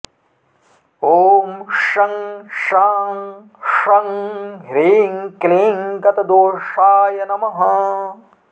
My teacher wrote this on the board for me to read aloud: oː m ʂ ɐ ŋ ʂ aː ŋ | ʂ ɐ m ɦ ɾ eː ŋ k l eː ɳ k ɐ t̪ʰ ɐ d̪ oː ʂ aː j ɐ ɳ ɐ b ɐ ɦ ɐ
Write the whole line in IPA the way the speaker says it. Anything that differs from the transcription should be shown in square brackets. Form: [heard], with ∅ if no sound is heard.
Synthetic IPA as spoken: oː m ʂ ɐ ŋ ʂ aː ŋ | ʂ ɐ [ŋ] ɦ ɾ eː ŋ k l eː [ŋ] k ɐ [t̪] ɐ d̪ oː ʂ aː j ɐ [n] ɐ [m] ɐ ɦ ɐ

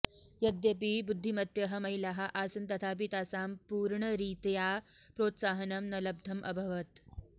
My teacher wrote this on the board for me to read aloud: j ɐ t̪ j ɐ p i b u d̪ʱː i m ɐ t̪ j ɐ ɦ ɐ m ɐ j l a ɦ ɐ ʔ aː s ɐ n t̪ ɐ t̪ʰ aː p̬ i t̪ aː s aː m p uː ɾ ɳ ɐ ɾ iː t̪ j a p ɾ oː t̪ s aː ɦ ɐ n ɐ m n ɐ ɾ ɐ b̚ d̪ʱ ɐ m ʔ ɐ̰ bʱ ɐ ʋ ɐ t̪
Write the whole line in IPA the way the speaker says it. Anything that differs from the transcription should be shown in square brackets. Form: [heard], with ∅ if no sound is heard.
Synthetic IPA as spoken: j ɐ [d̪] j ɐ p i b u d̪ʱː i m ɐ t̪ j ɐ ɦ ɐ m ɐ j l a ɦ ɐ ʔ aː s ɐ n t̪ ɐ t̪ʰ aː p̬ i t̪ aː s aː m p uː ɾ ɳ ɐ ɾ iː t̪ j a p ɾ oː t̪ s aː ɦ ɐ n ɐ m n ɐ [l] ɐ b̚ d̪ʱ ɐ m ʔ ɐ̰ bʱ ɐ ʋ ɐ t̪

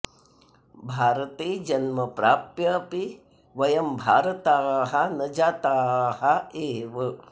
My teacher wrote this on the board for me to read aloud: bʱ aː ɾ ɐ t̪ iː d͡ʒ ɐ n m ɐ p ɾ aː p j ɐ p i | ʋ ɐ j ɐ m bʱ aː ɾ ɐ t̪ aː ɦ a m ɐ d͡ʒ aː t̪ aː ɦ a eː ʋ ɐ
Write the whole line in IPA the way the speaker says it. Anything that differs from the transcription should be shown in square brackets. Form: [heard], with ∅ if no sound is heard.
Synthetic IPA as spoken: bʱ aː ɾ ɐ t̪ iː d͡ʒ ɐ n m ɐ p ɾ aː p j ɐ p i | ʋ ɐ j ɐ m bʱ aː ɾ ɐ t̪ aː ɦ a [n] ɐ d͡ʒ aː t̪ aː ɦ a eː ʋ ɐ

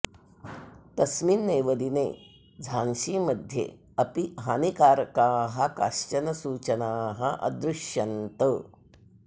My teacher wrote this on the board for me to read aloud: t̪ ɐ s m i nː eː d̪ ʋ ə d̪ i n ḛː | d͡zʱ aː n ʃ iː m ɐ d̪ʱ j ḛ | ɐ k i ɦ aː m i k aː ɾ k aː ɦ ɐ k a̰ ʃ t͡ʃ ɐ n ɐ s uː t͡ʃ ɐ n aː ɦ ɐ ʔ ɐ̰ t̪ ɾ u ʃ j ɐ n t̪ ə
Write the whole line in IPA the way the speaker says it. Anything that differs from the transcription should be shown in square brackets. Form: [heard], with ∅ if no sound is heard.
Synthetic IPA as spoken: t̪ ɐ s m i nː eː [∅] ʋ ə d̪ i n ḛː | d͡zʱ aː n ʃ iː m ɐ d̪ʱ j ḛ | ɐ [p] i ɦ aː [n] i k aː ɾ k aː ɦ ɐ k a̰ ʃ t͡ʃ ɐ n ɐ s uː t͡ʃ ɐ n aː ɦ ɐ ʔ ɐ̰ [d̪] ɾ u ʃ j ɐ n t̪ ə

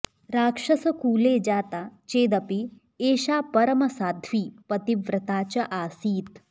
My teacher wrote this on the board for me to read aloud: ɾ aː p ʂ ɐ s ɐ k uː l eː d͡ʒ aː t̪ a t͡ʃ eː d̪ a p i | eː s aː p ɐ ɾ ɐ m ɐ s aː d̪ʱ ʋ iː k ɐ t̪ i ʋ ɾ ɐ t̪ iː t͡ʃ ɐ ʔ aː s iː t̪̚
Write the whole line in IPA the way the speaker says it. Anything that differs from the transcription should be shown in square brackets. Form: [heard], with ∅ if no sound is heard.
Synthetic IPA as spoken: ɾ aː [k] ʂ ɐ s ɐ k uː l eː d͡ʒ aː t̪ a t͡ʃ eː d̪ [ɐ] p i | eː [ʃ] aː p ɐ ɾ ɐ m ɐ s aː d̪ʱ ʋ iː [p] ɐ t̪ i ʋ ɾ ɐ t̪ [aː] t͡ʃ ɐ ʔ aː s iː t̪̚

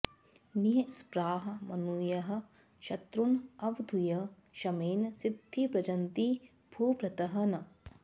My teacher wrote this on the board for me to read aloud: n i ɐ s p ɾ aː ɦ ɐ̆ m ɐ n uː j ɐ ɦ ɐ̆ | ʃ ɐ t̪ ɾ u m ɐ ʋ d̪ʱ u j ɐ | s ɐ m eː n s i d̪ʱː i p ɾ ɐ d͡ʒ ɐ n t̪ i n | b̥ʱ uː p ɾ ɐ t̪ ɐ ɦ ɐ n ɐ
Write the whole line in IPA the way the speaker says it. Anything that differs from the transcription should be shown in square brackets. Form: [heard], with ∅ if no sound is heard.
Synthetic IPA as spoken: n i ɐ s p ɾ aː ɦ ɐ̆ m ɐ n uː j ɐ ɦ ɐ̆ | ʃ ɐ t̪ ɾ u [n] ɐ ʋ d̪ʱ u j ɐ | [ʃ] ɐ m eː n s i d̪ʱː i p ɾ ɐ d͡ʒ ɐ n t̪ i [∅] | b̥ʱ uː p ɾ ɐ t̪ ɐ ɦ ɐ n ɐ

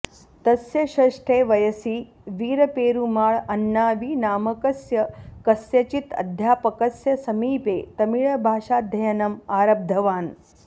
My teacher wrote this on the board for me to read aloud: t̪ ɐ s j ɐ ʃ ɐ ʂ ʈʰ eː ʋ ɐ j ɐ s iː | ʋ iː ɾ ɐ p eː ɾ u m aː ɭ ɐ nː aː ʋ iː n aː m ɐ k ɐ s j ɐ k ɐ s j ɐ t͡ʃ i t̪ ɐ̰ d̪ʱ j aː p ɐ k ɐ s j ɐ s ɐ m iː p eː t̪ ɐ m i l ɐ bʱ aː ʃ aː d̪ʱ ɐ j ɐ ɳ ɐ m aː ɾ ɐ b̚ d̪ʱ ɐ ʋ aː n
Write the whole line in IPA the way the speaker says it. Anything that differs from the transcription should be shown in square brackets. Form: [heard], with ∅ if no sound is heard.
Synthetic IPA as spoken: t̪ ɐ s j ɐ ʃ ɐ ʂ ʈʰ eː ʋ ɐ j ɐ s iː | ʋ iː ɾ ɐ p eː ɾ u m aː ɭ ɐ nː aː ʋ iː n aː m ɐ k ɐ s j ɐ k ɐ s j ɐ t͡ʃ i t̪ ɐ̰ d̪ʱ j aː p ɐ k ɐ s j ɐ s ɐ m iː p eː t̪ ɐ m i [ɭ] ɐ bʱ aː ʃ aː d̪ʱ ɐ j ɐ [n] ɐ m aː ɾ ɐ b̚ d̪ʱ ɐ ʋ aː n

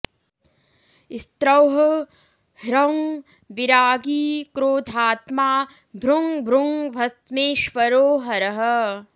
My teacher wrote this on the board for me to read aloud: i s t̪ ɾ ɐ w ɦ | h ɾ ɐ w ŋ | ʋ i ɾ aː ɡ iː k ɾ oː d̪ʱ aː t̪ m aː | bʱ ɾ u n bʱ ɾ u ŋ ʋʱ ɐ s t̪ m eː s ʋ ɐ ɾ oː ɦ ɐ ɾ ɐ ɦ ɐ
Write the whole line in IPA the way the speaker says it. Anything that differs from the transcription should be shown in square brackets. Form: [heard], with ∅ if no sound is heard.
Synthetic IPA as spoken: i s t̪ ɾ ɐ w ɦ | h ɾ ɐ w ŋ | ʋ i ɾ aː ɡ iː k ɾ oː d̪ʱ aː t̪ m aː | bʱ ɾ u [ŋ] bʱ ɾ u ŋ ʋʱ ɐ s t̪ m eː [ʃ] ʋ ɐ ɾ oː ɦ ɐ ɾ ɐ ɦ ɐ

